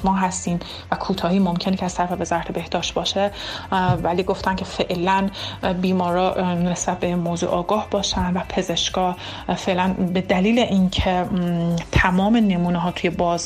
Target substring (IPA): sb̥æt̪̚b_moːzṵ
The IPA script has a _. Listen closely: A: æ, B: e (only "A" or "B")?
B